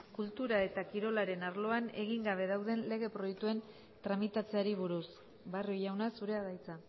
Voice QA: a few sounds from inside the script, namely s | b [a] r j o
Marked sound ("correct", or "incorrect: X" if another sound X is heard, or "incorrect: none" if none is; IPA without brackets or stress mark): correct